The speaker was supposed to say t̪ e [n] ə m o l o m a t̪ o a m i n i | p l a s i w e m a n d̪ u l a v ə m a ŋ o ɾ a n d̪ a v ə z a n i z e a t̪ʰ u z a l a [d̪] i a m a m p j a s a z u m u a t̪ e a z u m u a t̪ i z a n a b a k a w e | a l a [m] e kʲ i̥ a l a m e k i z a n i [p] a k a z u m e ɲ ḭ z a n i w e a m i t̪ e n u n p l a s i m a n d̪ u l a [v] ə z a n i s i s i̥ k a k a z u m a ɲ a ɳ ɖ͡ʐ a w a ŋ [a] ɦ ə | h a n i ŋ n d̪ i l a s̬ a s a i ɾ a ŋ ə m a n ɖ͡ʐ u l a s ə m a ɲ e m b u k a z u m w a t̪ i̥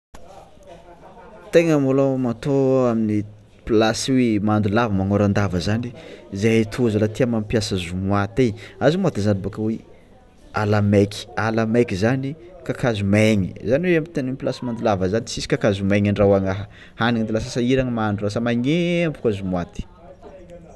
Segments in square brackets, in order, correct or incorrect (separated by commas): incorrect, incorrect, correct, incorrect, correct, correct